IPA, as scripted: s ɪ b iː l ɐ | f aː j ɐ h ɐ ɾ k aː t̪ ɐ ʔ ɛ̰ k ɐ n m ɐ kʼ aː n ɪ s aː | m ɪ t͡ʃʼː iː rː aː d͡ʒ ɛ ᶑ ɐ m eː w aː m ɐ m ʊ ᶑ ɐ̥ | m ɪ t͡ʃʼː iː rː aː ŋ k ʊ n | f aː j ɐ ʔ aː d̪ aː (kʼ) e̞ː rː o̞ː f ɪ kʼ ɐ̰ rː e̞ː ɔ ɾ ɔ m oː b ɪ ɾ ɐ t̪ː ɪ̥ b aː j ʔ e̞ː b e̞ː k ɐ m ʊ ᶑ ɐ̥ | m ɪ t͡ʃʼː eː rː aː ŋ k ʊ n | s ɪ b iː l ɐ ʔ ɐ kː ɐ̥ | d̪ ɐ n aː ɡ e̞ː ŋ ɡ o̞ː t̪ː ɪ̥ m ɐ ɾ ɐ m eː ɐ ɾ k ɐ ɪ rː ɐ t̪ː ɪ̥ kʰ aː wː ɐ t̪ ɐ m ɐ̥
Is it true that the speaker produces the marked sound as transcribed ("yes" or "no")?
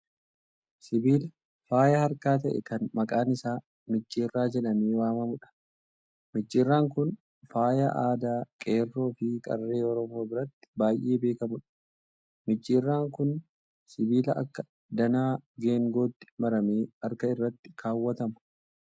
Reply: yes